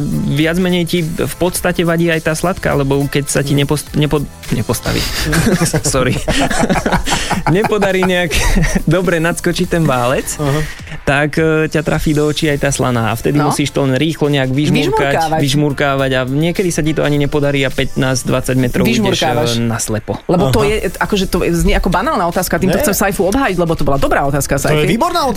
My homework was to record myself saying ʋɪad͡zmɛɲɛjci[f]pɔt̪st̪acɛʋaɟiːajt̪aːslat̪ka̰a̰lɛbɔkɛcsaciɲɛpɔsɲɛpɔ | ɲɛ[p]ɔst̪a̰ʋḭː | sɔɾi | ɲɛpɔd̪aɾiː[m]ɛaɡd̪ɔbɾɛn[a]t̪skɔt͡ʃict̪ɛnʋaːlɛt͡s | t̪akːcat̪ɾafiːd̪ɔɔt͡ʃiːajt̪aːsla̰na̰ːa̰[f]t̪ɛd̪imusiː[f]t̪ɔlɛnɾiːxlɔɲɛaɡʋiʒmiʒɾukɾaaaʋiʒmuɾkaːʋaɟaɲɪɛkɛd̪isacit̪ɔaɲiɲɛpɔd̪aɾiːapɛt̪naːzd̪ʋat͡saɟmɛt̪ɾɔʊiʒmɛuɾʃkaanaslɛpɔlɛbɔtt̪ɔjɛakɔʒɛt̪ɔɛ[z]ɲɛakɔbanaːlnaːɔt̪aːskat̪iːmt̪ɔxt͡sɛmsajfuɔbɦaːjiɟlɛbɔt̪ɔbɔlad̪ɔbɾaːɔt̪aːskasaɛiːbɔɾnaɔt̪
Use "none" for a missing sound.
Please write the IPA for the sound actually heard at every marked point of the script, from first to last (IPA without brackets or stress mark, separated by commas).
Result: f, p, ɲ, a, f, ʃ, z